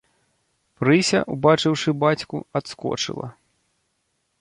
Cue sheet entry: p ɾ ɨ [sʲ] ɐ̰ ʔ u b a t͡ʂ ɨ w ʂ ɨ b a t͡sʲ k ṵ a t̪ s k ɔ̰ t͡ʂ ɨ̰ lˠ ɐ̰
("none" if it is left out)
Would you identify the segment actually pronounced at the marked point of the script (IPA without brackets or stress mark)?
sʲ